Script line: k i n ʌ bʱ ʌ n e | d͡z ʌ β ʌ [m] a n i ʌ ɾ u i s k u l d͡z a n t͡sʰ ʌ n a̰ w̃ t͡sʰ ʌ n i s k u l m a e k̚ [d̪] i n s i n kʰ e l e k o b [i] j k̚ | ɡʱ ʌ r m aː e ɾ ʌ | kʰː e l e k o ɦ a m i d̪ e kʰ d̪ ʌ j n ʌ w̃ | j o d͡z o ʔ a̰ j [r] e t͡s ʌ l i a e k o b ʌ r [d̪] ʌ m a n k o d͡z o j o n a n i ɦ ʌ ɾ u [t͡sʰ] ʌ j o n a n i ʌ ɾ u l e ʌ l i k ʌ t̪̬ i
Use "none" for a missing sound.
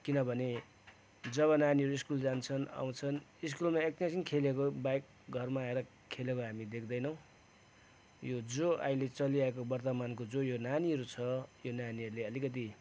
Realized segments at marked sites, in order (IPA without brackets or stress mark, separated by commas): n, t̪, a, l, t̪, t͡sʰ